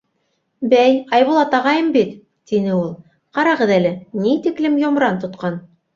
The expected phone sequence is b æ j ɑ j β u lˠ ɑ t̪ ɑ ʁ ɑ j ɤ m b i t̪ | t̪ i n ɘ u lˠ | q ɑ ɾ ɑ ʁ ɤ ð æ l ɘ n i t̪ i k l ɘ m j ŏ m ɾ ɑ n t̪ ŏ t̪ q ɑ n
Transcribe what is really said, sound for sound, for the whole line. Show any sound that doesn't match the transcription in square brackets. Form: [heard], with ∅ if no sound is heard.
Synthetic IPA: b æ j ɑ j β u lˠ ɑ t̪ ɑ ʁ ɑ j ɤ m b i t̪ | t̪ i n ɘ u lˠ | q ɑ ɾ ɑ ʁ ɤ ð æ l ɘ n i t̪ i k l ɘ m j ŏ m ɾ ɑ n t̪ ŏ t̪ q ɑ n